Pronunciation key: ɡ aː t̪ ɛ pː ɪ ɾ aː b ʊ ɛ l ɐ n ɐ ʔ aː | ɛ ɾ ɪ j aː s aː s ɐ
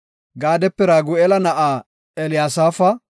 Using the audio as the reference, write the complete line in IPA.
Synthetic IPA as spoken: ɡ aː d̪ ɛ pː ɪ ɾ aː ɡ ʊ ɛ l ɐ n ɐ ʔ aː | ɛ l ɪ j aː s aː f ɐ

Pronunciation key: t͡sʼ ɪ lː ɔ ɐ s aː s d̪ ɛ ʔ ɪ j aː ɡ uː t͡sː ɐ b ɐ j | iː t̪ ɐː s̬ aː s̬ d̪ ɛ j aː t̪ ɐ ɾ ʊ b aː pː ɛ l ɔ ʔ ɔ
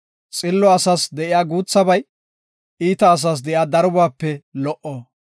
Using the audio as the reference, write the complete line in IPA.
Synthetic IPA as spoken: t͡sʼ ɪ lː ɔ ɐ s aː s d̪ ɛ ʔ ɪ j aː ɡ uː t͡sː ɐ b ɐ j | iː t̪ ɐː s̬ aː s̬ d̪ ɛ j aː d̪ ɐ ɾ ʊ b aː pː ɛ l ɔ ʔ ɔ

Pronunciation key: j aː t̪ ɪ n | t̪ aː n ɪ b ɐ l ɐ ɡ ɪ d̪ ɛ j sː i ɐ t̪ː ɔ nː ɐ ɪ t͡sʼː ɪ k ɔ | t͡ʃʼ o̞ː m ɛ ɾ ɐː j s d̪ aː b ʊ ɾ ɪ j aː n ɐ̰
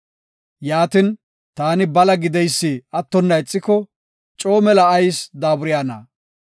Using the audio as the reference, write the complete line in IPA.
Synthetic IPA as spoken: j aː t̪ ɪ n | t̪ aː n ɪ b ɐ l ɐ ɡ ɪ d̪ ɛ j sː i ɐ t̪ː ɔ nː ɐ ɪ t͡sʼː ɪ k ɔ | t͡ʃʼ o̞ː m ɛ l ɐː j s d̪ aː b ʊ ɾ ɪ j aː n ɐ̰

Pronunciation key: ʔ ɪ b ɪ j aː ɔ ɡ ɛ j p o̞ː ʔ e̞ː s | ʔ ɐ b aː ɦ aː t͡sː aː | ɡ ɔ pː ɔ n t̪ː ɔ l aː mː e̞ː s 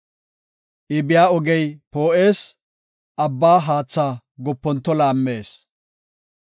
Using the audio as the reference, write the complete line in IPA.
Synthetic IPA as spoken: ʔ ɪ b ɪ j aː ɔ ɡ ɛ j p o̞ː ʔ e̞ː s | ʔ ɐ bː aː ɦ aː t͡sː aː | ɡ ɔ pː ɔ n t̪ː ɔ l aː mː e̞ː s

